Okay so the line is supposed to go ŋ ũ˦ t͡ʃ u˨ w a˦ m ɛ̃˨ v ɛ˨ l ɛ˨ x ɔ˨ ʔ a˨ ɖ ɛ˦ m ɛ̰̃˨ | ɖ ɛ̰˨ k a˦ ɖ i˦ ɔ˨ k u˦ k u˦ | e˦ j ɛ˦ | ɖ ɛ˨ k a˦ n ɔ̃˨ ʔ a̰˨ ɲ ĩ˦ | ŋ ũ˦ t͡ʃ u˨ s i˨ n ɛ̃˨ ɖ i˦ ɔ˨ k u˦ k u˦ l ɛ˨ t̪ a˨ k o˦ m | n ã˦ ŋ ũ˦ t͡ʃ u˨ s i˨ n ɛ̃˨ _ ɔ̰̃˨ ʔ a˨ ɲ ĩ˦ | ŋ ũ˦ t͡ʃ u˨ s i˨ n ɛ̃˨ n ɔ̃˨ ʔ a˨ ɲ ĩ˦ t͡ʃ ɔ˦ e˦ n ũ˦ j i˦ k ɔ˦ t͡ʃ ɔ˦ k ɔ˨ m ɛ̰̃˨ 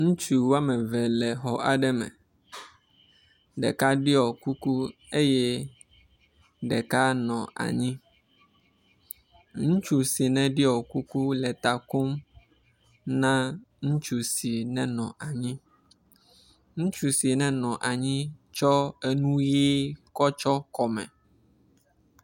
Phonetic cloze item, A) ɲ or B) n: B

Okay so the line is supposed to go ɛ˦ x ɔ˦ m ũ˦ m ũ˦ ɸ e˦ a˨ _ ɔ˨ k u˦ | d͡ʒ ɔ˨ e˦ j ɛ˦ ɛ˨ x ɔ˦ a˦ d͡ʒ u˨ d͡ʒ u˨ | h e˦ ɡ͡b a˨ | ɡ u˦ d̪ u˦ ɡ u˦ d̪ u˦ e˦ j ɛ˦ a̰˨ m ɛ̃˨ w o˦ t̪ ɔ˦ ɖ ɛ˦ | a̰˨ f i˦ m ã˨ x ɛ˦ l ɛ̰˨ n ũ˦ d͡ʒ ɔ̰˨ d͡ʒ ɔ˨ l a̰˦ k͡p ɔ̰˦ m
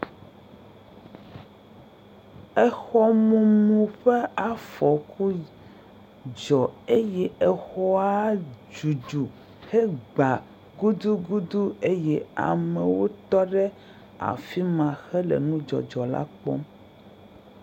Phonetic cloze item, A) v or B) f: B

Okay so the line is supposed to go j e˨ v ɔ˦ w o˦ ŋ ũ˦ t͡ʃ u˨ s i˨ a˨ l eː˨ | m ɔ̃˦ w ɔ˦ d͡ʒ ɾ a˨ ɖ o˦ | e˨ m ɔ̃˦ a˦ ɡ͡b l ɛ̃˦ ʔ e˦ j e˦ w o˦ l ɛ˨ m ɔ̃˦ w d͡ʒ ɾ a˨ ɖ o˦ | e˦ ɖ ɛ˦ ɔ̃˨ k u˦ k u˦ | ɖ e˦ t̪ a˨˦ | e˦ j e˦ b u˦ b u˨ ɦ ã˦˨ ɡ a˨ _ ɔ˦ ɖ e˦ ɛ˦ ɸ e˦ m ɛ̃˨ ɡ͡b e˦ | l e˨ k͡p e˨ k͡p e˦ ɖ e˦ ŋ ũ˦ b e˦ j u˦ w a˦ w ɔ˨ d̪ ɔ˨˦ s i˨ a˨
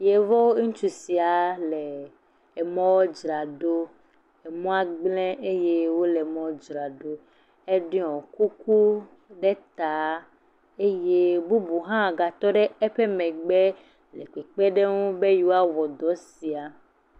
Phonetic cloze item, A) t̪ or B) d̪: A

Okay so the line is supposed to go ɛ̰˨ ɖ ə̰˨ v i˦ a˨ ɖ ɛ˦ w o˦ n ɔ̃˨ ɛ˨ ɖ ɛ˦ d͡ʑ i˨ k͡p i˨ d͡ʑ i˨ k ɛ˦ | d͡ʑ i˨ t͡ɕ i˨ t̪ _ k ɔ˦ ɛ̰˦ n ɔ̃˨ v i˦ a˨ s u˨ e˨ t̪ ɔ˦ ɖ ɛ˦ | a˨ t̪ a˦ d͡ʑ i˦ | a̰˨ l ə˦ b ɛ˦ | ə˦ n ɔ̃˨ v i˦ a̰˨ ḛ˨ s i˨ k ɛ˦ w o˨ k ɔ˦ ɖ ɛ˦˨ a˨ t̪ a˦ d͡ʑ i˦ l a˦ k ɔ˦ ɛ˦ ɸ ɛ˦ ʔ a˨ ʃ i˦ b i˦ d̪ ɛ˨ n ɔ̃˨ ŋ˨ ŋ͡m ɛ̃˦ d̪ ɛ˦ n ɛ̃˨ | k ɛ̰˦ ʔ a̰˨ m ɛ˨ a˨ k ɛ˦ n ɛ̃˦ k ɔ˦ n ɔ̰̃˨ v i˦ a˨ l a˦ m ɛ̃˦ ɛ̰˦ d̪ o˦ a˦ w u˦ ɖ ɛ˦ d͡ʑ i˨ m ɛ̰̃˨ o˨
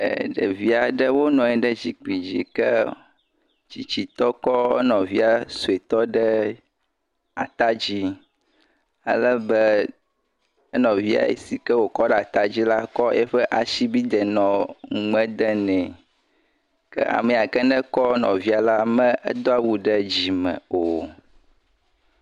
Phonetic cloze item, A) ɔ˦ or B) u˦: A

